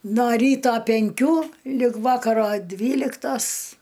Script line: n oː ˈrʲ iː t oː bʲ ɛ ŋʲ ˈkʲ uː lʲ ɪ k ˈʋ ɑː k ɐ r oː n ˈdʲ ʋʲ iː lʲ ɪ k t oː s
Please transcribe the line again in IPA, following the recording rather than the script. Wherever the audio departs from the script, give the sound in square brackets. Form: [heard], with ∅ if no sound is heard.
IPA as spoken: n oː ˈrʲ iː t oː [pʲ] ɛ ŋʲ ˈkʲ uː lʲ ɪ k ˈʋ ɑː k ɐ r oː [∅] ˈdʲ ʋʲ iː lʲ ɪ k t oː s